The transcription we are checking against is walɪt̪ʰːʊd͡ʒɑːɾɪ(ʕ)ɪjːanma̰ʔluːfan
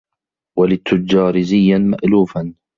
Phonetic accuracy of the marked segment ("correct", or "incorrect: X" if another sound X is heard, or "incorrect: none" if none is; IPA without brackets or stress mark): incorrect: z